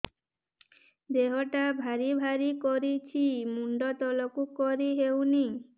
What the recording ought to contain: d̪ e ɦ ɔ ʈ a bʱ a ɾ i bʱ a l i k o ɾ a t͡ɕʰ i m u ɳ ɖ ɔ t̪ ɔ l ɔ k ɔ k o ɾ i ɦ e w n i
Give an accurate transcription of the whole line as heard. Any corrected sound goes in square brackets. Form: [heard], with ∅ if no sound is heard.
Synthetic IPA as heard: d̪ e ɦ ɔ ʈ a bʱ a ɾ i bʱ a [ɾ] i k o ɾ [i] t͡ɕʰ i m u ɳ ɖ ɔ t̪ ɔ l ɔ k [u] k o ɾ i ɦ e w n i

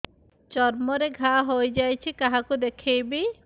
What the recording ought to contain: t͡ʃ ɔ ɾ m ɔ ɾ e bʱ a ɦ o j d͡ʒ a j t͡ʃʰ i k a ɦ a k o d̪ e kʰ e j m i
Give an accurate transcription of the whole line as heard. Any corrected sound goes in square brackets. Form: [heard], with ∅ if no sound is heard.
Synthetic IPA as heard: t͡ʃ ɔ ɾ m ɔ ɾ e [ɡʱ] a ɦ o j d͡ʒ a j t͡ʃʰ i k a ɦ a k [u] d̪ e kʰ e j [b] i

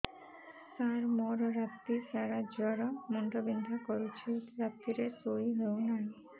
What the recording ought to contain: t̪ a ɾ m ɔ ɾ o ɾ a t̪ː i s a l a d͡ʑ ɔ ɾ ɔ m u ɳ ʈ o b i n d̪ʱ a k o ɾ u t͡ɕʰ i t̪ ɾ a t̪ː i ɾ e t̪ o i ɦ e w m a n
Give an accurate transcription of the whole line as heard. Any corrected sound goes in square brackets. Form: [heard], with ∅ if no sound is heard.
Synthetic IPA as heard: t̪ a ɾ m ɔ ɾ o ɾ a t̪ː i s a [ɾ] a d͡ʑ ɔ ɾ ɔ m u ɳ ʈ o b i n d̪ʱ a k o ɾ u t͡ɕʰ i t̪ ɾ a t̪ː i ɾ e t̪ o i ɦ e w [n] a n

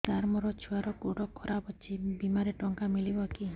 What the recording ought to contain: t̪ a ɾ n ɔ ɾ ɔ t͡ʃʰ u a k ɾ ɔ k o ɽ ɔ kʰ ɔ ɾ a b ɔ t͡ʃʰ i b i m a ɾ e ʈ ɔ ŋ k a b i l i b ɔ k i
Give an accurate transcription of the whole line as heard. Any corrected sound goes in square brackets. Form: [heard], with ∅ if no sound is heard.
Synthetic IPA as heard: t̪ a ɾ [m] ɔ ɾ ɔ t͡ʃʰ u a [∅] ɾ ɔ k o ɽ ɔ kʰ ɔ ɾ a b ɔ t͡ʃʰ i b i m a ɾ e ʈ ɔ ŋ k a [m] i l i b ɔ k i

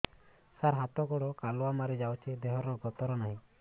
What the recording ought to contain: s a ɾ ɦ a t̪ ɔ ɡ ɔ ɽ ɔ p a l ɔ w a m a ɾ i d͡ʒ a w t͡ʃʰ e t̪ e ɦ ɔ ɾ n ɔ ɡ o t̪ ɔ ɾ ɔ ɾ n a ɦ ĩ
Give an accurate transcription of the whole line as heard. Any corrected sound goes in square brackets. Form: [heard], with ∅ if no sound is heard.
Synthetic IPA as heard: s a ɾ ɦ a t̪ ɔ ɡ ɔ ɽ ɔ [k] a l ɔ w a m a ɾ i d͡ʒ a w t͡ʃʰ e [d̪] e ɦ ɔ ɾ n ɔ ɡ [ɔ] t̪ ɔ ɾ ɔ [∅] n a ɦ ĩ

